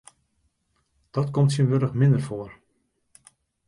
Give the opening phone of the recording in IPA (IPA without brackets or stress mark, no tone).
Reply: d̥